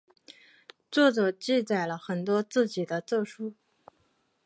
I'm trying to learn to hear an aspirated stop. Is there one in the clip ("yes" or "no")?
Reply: no